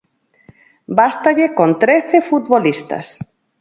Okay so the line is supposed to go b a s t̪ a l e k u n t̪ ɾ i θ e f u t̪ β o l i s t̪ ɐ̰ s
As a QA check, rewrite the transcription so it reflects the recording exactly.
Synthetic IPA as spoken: b a s t̪ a ʎ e k o n t̪ ɾ e θ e f u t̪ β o l i s t̪ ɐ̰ s